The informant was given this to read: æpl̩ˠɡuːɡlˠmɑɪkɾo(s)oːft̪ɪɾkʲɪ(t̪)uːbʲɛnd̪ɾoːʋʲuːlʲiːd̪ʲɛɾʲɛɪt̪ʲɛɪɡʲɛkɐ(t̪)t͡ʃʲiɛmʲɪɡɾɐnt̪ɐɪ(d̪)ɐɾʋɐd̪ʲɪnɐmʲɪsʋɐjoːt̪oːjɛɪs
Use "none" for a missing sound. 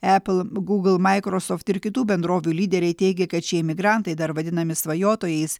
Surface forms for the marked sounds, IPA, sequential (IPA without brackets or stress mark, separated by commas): s, t̪, t̪, d̪